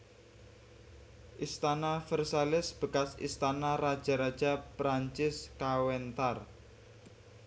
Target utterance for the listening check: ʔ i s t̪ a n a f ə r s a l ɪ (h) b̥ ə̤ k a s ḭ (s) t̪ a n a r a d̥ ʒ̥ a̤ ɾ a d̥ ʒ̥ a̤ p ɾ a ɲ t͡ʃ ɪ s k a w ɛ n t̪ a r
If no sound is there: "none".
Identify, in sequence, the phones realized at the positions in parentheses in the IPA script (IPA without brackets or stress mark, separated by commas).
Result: s, s